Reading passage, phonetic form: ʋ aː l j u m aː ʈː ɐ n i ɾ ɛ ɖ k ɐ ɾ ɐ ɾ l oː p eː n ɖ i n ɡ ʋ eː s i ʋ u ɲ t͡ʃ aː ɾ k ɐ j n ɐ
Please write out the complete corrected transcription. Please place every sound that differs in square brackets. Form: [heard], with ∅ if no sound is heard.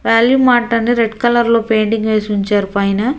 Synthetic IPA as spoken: ʋ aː l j u m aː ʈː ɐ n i ɾ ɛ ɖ k ɐ [l] ɐ ɾ l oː p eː [ɳ] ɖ i [ŋ] ɡ ʋ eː s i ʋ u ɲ t͡ʃ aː ɾ [p] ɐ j n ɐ